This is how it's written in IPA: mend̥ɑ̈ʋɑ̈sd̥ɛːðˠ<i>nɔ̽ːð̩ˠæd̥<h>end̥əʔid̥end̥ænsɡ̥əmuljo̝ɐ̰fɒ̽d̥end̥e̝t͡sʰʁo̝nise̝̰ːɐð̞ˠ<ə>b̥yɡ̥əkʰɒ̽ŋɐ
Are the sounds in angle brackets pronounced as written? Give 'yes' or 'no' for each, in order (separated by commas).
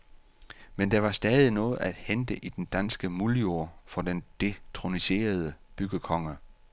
yes, yes, yes